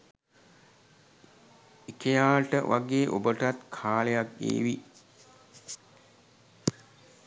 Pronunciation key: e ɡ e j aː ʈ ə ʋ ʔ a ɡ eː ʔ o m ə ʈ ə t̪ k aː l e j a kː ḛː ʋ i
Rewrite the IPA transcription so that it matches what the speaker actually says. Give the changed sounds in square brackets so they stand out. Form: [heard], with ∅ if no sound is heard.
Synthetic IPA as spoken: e [k] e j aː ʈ ə ʋ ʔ a ɡ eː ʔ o [b] ə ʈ [a] t̪ [kʰ] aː l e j a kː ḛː ʋ i